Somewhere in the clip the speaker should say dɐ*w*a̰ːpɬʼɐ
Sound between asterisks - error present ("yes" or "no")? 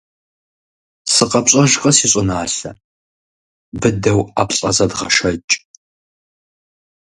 no